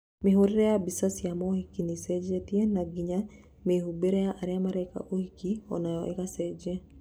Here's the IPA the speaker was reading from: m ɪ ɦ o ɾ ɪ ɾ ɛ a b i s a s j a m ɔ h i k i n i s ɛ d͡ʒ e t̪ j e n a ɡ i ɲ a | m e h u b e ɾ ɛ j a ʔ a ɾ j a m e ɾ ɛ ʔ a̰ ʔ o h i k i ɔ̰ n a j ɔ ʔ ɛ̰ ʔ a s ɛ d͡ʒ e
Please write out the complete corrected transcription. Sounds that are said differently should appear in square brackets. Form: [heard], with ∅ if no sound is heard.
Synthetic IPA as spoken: m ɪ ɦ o ɾ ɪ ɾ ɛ a b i s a s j a m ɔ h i k i n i s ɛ d͡ʒ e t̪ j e n a ɡ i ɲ a | m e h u b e ɾ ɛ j a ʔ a ɾ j a m [a] ɾ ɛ [k] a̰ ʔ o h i k i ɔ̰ n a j ɔ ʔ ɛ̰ [k] a s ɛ d͡ʒ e